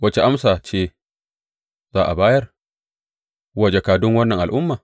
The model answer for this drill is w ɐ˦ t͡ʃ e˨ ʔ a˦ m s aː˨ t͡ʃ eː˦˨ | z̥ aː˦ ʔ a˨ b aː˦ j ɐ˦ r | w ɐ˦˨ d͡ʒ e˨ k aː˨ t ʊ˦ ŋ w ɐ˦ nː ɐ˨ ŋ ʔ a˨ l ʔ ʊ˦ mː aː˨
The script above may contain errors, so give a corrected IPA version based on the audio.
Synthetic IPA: w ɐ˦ t͡ʃ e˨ ʔ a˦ m s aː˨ t͡ʃ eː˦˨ | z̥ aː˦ ʔ a˨ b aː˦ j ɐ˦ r | w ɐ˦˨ d͡ʒ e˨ k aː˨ d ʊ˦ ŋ w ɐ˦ nː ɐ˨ ŋ ʔ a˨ l ʔ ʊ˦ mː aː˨